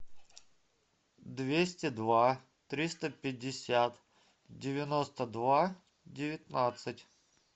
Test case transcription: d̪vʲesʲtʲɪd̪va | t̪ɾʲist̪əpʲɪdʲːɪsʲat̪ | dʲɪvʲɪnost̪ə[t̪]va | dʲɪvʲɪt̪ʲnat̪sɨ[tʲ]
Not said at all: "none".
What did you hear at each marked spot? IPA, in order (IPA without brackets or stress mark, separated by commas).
d̪, tʲ